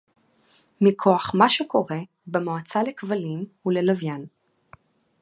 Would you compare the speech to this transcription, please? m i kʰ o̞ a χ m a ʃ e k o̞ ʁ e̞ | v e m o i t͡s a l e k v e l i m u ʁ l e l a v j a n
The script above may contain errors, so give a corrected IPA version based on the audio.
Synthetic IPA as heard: m i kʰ o̞ a χ m a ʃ e k o̞ ʁ e̞ | b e m o a t͡s a l e k v a l i m u l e l a v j a n